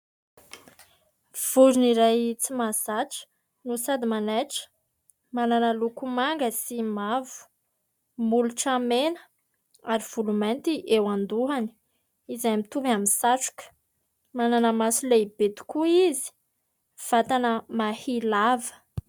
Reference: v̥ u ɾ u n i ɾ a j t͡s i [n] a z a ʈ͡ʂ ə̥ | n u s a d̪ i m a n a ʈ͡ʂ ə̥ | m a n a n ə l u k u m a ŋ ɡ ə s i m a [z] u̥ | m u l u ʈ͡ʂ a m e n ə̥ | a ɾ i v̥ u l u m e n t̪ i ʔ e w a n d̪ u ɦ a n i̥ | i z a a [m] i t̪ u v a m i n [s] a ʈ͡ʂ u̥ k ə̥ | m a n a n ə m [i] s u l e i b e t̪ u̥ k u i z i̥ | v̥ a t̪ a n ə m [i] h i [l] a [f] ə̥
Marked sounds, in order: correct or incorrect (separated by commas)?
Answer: incorrect, incorrect, correct, correct, incorrect, incorrect, correct, incorrect